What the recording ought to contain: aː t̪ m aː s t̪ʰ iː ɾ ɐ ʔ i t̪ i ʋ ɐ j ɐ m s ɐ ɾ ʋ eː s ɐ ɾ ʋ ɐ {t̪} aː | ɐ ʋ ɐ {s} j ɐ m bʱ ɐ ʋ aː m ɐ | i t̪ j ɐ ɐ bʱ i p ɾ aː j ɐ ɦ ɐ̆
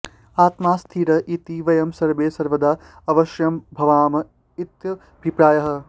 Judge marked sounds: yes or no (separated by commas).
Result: no, no